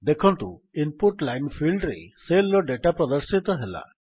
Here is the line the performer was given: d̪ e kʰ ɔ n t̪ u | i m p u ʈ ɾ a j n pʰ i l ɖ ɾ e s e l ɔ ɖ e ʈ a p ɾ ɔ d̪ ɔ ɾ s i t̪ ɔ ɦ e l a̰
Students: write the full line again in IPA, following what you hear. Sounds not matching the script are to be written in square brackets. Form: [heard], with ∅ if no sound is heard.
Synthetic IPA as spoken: d̪ e kʰ ɔ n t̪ u | i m p u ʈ [l] a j n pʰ i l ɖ ɾ e s e l ɔ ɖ e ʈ a p ɾ ɔ d̪ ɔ ɾ s i t̪ ɔ ɦ e l a̰